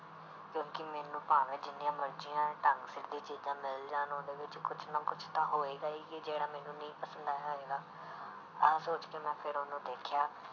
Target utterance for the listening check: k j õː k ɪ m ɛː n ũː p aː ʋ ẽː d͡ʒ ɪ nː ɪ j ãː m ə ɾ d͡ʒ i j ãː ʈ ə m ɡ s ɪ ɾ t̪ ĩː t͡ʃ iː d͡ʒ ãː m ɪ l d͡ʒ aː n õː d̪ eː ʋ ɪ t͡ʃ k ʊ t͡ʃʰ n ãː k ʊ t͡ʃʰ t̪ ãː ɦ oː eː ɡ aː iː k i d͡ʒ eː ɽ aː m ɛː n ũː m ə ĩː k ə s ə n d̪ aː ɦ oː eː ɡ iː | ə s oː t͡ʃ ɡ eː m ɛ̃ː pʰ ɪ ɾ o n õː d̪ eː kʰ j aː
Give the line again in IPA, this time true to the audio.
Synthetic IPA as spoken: k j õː k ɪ m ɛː n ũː p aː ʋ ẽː d͡ʒ ɪ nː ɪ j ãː m ə ɾ d͡ʒ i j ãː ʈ ə ŋ ɡ s ɪ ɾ d̪ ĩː t͡ʃ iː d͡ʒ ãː m ɪ l d͡ʒ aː n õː d̪ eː ʋ ɪ t͡ʃ k ʊ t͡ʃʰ n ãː k ʊ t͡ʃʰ t̪ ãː ɦ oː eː ɡ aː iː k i d͡ʒ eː ɽ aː m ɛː n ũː n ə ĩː p ə s ə n d̪ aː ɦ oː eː ɡ aː | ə s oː t͡ʃ k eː m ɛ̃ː pʰ ɪ ɾ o n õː d̪ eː kʰ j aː

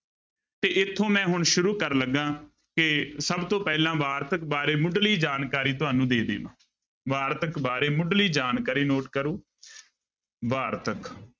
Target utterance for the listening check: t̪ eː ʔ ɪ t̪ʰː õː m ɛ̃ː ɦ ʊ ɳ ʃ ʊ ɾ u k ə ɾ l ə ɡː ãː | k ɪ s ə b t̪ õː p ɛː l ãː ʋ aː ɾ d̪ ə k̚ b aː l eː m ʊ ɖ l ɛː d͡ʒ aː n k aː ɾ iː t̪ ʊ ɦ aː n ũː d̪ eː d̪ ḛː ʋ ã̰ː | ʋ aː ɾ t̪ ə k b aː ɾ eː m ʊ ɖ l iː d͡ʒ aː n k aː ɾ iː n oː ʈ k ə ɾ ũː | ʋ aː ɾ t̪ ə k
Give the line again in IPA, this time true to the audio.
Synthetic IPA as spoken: t̪ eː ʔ ɪ t̪ʰː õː m ɛ̃ː ɦ ʊ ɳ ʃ ʊ ɾ uː k ə ɾ l ə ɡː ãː | k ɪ s ə b t̪ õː p ɛː l ãː ʋ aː ɾ t̪ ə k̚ b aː ɾ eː m ʊ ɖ l iː d͡ʒ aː n k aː ɾ iː t̪ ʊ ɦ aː n ũː d̪ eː d̪ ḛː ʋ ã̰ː | ʋ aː ɾ t̪ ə k b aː ɾ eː m ʊ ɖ l iː d͡ʒ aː n k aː ɾ iː n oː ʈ k ə ɾ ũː | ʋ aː ɾ t̪ ə k

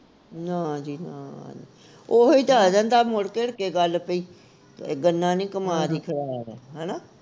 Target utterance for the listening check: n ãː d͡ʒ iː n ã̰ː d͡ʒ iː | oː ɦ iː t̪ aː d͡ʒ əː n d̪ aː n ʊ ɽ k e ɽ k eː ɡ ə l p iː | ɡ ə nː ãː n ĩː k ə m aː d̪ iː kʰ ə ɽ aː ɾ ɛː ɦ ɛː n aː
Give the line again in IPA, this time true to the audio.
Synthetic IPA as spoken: n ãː d͡ʒ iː n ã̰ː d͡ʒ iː | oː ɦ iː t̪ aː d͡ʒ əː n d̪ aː m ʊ ɽ k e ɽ k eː ɡ ə l p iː | ɡ ə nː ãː n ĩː k ə m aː d̪ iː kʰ ə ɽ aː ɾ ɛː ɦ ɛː n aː

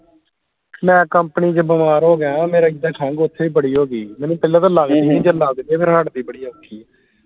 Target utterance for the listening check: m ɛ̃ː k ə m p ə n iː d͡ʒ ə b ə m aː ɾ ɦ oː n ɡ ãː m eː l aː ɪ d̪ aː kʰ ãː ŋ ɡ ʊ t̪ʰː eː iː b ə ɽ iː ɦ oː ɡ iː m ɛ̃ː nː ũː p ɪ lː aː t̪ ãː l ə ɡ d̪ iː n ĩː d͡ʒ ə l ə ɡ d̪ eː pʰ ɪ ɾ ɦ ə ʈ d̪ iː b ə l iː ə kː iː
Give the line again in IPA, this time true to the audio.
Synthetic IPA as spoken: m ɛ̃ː k ə m p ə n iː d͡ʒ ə b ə m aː ɾ ɦ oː ɡ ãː m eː ɾ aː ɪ d̪ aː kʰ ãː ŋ ɡ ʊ t̪ʰː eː iː b ə ɽ iː ɦ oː ɡ iː m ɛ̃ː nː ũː p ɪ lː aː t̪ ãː l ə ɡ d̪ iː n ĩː d͡ʒ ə l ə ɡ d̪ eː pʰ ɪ ɾ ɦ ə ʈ d̪ iː b ə ɽ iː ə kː iː

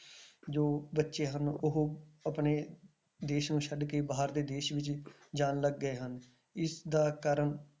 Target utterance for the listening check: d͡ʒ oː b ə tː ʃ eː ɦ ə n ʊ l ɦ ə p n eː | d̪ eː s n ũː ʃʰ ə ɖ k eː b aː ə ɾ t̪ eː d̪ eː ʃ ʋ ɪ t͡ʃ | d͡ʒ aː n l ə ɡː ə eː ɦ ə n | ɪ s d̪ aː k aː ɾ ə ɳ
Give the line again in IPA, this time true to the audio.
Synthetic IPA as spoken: d͡ʒ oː b ə tː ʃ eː ɦ ə n ʊ ɦ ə p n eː | d̪ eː ʃ n ũː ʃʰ ə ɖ k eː b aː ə ɾ d̪ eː d̪ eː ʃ ʋ ɪ t͡ʃ | d͡ʒ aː n l ə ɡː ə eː ɦ ə n | ɪ s d̪ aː k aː ɾ ə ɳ

